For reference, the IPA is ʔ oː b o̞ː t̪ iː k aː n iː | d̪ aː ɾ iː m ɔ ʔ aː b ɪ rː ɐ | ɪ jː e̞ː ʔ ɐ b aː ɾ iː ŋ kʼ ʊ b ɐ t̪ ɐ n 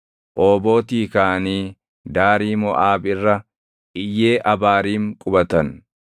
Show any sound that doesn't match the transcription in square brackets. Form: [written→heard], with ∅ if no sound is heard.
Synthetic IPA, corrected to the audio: ʔ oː b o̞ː t̪ iː k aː n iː | d̪ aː ɾ iː m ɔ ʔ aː b ɪ rː ɐ | ɪ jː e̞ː ʔ ɐ b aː ɾ iː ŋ kʼ ʊ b ɐ t̪ ɐ n